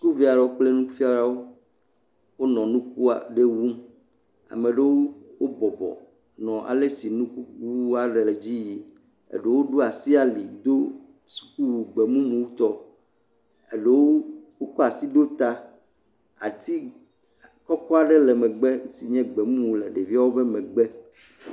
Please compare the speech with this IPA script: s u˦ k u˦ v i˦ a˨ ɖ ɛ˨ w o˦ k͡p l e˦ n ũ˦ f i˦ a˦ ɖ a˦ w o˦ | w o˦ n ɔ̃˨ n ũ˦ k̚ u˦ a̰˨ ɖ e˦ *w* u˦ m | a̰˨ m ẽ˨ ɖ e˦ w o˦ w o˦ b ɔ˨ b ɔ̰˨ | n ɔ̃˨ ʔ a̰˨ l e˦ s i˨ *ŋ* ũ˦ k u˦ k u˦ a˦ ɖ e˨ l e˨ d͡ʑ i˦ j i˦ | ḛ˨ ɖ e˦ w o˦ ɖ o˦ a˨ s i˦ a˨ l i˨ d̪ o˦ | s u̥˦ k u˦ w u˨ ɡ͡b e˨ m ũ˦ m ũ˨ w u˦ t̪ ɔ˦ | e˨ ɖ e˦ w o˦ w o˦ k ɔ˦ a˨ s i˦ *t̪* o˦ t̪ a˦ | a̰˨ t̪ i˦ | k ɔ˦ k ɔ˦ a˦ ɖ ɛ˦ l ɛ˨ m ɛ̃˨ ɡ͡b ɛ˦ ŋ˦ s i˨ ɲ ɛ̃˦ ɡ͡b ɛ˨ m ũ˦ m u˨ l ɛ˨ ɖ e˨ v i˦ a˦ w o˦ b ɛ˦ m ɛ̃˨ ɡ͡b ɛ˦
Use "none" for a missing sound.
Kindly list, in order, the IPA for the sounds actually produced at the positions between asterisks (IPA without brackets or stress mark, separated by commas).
w, n, d̪